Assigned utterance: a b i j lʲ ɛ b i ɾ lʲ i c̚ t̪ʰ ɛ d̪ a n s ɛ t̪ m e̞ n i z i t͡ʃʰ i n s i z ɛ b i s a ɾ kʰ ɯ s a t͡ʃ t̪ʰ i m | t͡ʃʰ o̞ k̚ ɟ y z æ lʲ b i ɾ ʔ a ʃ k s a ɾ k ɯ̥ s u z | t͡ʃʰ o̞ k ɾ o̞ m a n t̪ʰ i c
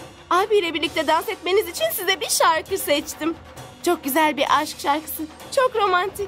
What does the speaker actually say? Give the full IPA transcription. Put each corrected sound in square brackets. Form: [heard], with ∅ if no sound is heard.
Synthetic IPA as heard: a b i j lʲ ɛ b i ɾ lʲ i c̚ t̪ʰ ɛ d̪ a n s ɛ t̪ m e̞ n i z i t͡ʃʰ i n s i z ɛ b i [ʃ] a ɾ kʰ ɯ s [ɛ] t͡ʃ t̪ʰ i m | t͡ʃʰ o̞ k̚ ɟ y z æ lʲ b i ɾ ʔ a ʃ k [ʃ] a ɾ k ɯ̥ s [ɯ] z | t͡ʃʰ o̞ k ɾ o̞ m a n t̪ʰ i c